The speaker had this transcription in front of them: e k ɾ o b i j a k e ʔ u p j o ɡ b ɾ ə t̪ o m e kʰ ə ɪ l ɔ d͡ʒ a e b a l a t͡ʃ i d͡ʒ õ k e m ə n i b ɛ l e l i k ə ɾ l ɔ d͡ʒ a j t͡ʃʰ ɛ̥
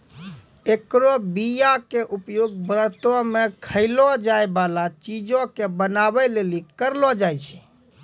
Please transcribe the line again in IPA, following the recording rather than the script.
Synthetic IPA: e k ɾ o b i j a k e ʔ u p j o ɡ b ɾ ə t̪ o m e kʰ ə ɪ l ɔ d͡ʒ a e b a l a t͡ʃ i d͡ʒ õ k e b ə n a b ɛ l e l i k ə ɾ l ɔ d͡ʒ a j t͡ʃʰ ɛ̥